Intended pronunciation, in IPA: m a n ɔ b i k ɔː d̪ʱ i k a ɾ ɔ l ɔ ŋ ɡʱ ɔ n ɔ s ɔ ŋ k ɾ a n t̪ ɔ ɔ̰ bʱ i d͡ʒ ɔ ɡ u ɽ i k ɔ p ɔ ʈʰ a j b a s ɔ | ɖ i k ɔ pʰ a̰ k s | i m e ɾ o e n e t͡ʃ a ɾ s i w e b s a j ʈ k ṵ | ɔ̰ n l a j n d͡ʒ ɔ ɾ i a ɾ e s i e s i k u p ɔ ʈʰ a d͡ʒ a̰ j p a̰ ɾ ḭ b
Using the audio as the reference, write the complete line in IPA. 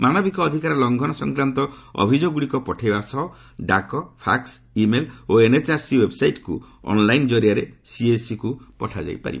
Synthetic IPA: m a n ɔ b i k ɔː d̪ʱ i k a ɾ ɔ l ɔ ŋ ɡʱ ɔ n ɔ s ɔ ŋ k ɾ a n t̪ ɔ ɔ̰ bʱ i d͡ʒ o ɡ u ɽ i k ɔ p ɔ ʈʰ a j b a s ɔ | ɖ a k ɔ pʰ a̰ k s | i m e l o e n e t͡ʃ a ɾ s i w e b s a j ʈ k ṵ | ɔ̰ n l a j n d͡ʒ ɔ ɾ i a ɾ e s i e s i k u p ɔ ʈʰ a d͡ʒ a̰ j p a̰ ɾ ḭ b